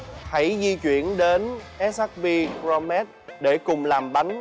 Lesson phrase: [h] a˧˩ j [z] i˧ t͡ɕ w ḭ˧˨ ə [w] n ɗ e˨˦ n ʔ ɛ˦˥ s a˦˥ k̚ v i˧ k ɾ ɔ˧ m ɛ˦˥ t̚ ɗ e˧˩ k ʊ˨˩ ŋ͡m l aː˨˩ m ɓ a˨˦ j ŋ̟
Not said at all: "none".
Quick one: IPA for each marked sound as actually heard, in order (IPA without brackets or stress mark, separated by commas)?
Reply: h, z, none